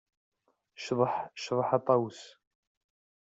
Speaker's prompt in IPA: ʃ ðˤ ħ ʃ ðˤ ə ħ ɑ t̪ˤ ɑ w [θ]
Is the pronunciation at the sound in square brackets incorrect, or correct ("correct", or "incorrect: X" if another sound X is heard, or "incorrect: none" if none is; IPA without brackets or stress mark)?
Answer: incorrect: s